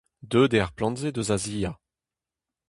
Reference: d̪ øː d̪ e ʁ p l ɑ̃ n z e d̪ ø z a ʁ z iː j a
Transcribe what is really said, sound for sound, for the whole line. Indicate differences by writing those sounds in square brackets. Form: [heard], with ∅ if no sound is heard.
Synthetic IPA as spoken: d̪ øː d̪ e ʁ p l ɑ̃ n z e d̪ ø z a [∅] z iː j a